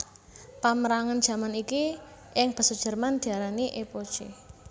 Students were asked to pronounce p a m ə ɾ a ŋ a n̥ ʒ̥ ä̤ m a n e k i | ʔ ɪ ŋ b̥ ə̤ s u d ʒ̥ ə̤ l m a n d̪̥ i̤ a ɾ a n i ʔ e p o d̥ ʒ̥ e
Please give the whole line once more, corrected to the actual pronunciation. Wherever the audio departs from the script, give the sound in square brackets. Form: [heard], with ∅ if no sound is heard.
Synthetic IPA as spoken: p a m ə ɾ a ŋ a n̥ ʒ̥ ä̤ m a n [i] k i | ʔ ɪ ŋ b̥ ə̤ s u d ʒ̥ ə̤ [r] m a n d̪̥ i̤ a ɾ a n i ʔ e p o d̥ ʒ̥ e